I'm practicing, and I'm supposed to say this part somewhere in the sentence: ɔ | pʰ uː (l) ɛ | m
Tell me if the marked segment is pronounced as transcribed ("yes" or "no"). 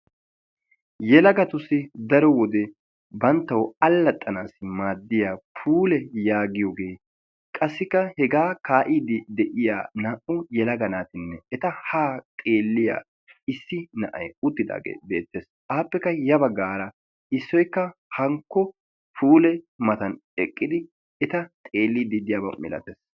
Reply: yes